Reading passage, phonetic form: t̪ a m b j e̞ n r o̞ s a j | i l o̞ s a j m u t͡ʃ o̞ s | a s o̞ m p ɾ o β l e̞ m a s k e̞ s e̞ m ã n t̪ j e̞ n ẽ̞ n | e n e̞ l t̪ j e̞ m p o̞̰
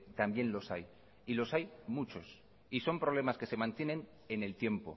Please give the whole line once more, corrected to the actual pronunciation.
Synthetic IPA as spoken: t̪ a m b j e̞ n l o̞ s a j | i l o̞ s a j m u t͡ʃ o̞ s | i s o̞ m p ɾ o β l e̞ m a s k e̞ s e̞ m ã n t̪ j e̞ n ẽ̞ n | e n e̞ l t̪ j e̞ m p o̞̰